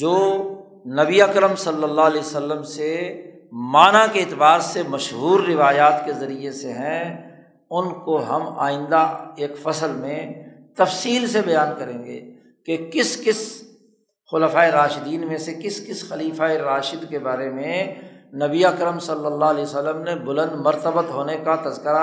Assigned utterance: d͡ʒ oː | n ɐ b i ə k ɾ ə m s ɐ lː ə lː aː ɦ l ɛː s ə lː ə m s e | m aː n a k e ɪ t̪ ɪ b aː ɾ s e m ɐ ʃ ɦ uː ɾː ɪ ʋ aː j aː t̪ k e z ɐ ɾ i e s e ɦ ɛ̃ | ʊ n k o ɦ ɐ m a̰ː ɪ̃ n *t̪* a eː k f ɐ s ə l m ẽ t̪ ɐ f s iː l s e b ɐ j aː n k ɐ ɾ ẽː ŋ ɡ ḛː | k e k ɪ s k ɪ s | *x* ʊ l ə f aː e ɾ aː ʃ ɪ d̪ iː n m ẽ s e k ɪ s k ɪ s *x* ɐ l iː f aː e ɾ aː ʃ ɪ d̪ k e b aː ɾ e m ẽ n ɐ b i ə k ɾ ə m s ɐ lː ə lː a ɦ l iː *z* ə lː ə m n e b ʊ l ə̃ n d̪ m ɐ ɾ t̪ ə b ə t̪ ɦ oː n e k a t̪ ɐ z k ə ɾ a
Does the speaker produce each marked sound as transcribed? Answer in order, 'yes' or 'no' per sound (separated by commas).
no, yes, yes, no